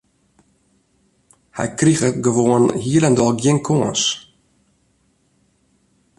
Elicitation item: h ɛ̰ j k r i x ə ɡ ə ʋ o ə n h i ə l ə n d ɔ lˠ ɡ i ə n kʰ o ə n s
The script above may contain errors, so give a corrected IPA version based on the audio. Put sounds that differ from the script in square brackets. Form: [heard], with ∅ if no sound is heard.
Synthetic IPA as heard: h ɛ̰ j k r i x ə ɡ ə ʋ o ə n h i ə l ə n d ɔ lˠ ɡ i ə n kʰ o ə n s